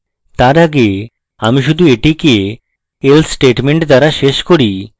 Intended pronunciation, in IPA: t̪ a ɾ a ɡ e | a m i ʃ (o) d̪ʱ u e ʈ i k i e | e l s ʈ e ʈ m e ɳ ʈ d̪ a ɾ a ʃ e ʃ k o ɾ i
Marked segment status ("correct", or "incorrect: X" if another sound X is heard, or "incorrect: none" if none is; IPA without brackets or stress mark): incorrect: u